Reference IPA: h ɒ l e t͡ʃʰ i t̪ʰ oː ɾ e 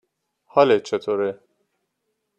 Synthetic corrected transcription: h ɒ l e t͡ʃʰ e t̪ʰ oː ɾ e